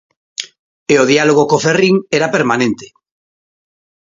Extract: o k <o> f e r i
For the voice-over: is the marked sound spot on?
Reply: yes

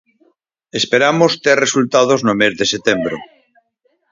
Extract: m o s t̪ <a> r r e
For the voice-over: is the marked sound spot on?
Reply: no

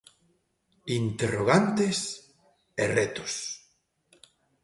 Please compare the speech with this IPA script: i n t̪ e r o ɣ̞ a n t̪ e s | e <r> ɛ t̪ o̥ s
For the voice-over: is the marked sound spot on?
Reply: yes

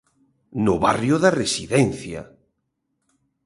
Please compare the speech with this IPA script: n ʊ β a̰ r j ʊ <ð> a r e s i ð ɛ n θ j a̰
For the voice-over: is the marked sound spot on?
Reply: yes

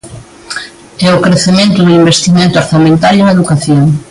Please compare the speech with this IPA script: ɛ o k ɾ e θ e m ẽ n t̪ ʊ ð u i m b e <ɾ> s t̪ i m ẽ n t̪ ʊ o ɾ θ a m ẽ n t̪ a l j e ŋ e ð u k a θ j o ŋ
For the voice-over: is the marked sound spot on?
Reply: no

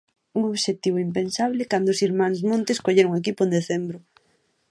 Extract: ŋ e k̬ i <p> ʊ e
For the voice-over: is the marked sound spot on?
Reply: yes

